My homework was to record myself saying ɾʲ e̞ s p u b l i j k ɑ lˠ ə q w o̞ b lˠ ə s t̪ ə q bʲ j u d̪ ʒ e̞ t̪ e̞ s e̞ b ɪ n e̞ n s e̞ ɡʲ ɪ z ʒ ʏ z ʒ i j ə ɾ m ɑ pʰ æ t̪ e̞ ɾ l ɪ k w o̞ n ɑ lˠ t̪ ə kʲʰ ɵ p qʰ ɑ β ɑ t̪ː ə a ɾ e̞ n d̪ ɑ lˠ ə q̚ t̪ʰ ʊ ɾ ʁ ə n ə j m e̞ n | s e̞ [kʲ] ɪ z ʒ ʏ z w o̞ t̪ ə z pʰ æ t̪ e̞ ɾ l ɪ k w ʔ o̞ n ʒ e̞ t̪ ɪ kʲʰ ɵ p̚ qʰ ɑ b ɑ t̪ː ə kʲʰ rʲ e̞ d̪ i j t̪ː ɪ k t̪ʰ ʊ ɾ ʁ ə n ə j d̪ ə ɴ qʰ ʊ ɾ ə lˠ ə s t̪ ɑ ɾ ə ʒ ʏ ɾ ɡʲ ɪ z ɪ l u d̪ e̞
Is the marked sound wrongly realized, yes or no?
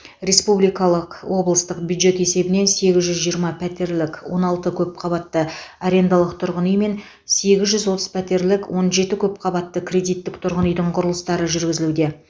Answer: yes